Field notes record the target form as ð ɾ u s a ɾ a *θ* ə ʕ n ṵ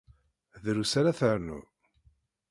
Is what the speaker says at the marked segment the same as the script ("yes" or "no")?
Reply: yes